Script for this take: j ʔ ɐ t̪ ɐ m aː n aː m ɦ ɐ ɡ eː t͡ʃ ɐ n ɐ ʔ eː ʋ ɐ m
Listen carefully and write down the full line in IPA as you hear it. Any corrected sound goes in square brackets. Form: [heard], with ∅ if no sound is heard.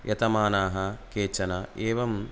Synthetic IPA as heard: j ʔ ɐ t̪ ɐ m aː n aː [∅] ɦ ɐ [k] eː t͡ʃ ɐ n ɐ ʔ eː ʋ ɐ m